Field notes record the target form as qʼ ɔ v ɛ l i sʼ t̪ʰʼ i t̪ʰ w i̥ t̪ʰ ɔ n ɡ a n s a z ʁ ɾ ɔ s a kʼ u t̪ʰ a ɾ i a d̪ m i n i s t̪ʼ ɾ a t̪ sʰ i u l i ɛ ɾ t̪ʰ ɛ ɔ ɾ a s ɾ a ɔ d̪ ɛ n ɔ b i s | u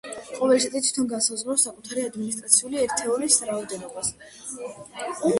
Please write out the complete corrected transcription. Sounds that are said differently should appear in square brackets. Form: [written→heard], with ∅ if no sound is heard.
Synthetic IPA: qʼ ɔ v ɛ l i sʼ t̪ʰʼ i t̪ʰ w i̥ t̪ʰ ɔ n ɡ a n s a z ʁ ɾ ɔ s a kʼ u t̪ʰ a ɾ i a d̪ m i n i s t̪ʼ ɾ a t̪ sʰ i u l i ɛ ɾ t̪ʰ ɛ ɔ ɾ [a→i] s ɾ a ɔ d̪ ɛ n ɔ b [i→a] s | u